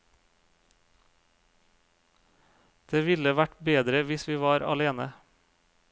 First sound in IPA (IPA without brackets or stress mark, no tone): d̪̥